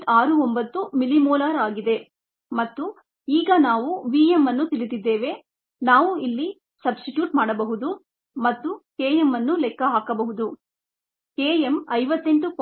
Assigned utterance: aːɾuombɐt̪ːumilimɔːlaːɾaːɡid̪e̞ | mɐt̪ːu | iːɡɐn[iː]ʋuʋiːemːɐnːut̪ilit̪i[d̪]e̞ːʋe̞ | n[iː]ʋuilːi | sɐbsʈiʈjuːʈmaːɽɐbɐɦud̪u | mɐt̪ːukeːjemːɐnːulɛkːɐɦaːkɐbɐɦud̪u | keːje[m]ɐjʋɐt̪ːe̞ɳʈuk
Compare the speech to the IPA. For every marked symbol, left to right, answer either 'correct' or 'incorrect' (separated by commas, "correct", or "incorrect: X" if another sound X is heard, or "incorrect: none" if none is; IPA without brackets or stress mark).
incorrect: aː, incorrect: d̪ː, incorrect: aː, correct